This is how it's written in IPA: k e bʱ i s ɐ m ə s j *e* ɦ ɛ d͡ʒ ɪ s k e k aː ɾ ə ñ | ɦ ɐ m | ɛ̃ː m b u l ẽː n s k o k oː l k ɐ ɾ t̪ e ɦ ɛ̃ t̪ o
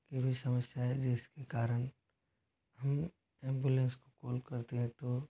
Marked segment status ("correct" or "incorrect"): incorrect